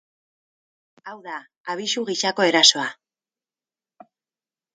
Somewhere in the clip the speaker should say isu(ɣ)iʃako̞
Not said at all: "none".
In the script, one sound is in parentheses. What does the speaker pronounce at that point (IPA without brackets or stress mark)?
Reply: ɣ